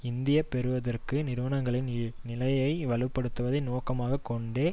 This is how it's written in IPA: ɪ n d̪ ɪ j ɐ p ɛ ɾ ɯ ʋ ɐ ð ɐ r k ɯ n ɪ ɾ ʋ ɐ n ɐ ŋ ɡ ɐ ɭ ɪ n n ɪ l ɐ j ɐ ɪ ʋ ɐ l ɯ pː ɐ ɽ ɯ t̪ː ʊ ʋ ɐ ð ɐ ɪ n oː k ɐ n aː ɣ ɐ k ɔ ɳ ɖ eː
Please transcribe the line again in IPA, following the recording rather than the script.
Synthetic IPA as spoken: ɪ n d̪ ɪ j ɐ p ɛ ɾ ɯ ʋ ɐ ð ɐ r k ɯ n ɪ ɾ ʋ ɐ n ɐ ŋ ɡ ɐ ɭ ɪ n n ɪ l ɐ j ɐ ɪ ʋ ɐ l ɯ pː ɐ ɽ ɯ t̪ː ɯ ʋ ɐ ð ɐ ɪ n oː k ɐ m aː ɣ ɐ k ɔ ɳ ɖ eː